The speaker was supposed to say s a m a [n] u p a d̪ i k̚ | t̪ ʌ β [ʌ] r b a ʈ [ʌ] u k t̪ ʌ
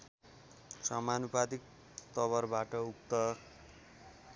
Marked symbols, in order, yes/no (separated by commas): yes, yes, yes